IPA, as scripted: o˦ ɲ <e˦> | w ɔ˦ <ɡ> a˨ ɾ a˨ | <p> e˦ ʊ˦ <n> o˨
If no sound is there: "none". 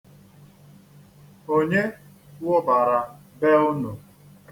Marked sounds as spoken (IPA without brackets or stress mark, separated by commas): e˦, b, b, n